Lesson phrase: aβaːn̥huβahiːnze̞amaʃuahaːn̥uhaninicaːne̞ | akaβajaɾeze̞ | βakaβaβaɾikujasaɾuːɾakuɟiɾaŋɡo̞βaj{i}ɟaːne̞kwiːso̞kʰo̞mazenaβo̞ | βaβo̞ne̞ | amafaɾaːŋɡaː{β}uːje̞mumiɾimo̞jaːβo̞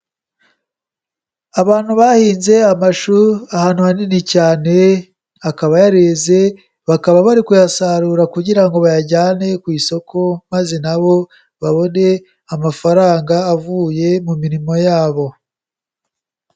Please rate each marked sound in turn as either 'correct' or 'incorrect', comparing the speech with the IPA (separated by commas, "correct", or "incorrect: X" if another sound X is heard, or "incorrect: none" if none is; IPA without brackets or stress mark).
incorrect: a, incorrect: v